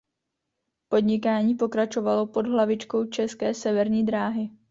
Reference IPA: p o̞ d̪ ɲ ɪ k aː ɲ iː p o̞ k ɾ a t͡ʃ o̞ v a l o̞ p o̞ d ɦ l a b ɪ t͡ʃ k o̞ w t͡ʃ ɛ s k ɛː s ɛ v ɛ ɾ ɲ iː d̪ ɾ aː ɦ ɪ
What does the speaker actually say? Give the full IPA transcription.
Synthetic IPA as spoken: p o̞ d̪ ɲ ɪ k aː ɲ iː p o̞ k ɾ a t͡ʃ o̞ v a l o̞ p o̞ d ɦ l a v ɪ t͡ʃ k o̞ w t͡ʃ ɛ s k ɛː s ɛ v ɛ ɾ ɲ iː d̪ ɾ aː ɦ ɪ